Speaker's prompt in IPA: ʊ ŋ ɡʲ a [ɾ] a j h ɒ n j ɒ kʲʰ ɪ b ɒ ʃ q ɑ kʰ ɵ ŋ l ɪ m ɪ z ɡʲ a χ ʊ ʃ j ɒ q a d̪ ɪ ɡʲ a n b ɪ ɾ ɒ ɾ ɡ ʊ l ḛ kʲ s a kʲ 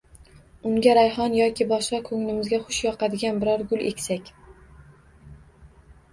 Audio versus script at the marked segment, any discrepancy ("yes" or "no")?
no